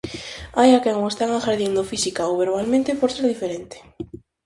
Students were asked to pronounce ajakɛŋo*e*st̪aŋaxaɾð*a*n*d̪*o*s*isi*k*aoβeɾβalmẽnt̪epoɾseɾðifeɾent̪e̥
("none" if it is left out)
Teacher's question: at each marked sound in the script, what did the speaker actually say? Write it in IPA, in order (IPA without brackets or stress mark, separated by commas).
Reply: e, i, d̪, f, k